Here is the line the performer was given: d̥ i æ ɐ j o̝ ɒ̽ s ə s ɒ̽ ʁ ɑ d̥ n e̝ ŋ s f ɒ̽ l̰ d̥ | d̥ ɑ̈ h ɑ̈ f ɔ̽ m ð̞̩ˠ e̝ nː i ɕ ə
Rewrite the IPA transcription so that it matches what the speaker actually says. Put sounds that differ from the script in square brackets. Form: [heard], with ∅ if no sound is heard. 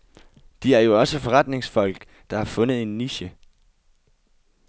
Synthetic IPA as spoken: d̥ i æ ɐ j o̝ ɒ̽ s ə [f] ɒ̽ ʁ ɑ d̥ n e̝ ŋ s f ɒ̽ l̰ [ɡ̥] | d̥ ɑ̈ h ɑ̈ f ɔ̽ [n] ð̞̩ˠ e̝ nː i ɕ ə

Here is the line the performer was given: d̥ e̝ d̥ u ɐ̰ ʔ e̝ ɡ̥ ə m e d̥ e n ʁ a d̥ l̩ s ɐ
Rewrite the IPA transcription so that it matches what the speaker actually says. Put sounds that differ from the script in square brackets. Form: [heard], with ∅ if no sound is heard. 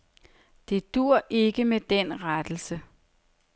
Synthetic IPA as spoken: d̥ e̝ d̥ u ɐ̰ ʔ e̝ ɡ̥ ə m e d̥ e n ʁ a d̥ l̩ s [ə]

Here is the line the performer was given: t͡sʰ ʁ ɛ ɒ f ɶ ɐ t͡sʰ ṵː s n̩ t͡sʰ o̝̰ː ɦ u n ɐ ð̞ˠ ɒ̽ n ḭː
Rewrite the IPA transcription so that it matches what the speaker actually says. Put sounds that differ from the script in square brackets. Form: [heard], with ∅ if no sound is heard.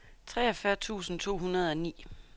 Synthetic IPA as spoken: t͡sʰ ʁ ɛ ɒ f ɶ ɐ t͡sʰ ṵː s n̩ t͡sʰ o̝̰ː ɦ u n ɐ ð̞ˠ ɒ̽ n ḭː

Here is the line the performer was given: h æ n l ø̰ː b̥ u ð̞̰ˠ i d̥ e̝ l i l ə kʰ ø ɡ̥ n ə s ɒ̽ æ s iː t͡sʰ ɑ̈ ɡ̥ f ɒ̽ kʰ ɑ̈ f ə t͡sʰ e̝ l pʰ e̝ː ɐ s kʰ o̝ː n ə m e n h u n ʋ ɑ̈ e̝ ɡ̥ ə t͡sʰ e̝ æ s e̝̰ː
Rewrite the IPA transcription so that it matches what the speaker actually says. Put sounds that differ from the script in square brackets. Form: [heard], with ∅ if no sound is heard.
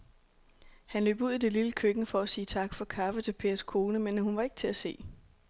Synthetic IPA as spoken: h æ n l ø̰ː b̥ u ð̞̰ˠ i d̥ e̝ l i l ə kʰ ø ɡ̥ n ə [f] ɒ̽ æ s iː t͡sʰ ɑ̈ ɡ̥ f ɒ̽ kʰ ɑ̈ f ə t͡sʰ e̝ l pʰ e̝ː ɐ s kʰ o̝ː n ə m e n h u n ʋ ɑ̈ e̝ ɡ̥ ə t͡sʰ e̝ æ s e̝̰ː

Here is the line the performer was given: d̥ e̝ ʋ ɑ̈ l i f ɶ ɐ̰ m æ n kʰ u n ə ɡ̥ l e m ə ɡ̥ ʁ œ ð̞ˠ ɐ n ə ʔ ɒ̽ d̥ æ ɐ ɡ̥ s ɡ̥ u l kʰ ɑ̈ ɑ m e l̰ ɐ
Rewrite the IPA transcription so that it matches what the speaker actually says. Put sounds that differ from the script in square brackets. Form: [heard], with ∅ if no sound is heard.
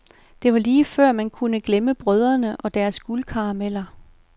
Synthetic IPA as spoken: d̥ e̝ ʋ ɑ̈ l [iː] f ɶ ɐ̰ m æ n kʰ u n ə ɡ̥ l e m ə [b̥] ʁ œ ð̞ˠ ɐ n ə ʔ ɒ̽ d̥ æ ɐ [∅] s ɡ̥ u l kʰ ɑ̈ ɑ m e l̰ ɐ

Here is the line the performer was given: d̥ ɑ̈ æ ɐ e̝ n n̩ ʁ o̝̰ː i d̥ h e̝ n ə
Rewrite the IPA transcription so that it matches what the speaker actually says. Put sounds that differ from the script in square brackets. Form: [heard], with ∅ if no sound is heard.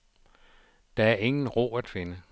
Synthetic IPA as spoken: d̥ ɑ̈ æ ɐ e̝ [ŋ] n̩ ʁ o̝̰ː [æ] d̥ [f] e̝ n ə

